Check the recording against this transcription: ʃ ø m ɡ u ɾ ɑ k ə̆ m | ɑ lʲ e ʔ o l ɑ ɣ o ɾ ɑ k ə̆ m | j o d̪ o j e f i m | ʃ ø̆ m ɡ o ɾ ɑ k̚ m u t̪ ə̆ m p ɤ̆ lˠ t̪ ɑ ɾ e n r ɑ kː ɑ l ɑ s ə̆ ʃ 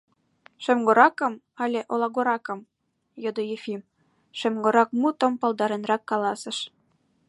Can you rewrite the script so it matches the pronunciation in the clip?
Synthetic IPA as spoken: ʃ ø m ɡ o ɾ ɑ k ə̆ m | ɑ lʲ e ʔ o l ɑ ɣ o ɾ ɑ k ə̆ m | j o d̪ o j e f i m | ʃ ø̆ m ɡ o ɾ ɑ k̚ m u t̪ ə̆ m p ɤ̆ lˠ d̪ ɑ ɾ e n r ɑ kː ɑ l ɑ s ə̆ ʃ